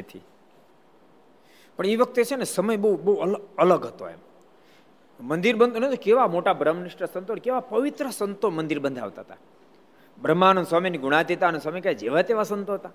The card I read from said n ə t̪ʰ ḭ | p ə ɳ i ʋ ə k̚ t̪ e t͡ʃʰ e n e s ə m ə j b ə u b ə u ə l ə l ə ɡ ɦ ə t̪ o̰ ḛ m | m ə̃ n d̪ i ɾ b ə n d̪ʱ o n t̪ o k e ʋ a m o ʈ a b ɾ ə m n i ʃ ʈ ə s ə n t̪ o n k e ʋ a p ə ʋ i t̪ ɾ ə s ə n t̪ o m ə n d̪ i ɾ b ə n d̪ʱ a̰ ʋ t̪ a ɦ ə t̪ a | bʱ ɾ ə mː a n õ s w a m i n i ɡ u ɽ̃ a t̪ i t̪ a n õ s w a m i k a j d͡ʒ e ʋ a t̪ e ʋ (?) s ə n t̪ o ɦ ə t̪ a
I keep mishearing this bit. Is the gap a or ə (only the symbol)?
a